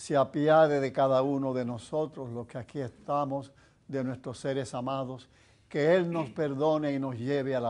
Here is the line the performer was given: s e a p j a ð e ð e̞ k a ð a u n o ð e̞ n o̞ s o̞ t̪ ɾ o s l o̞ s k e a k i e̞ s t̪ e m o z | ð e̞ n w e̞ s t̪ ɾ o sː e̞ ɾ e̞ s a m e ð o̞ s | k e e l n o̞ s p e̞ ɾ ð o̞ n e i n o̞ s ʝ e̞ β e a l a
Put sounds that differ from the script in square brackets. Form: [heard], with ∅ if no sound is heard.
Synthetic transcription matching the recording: s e a p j a ð e ð e̞ k a ð a u n o ð e̞ n o̞ s o̞ t̪ ɾ o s l o̞ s k e a k i e̞ s t̪ [a] m o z | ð e̞ n w e̞ s t̪ ɾ o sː e̞ ɾ e̞ s a m [a] ð o̞ s | k e e l n o̞ s p e̞ ɾ ð o̞ n e i n o̞ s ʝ e̞ β e a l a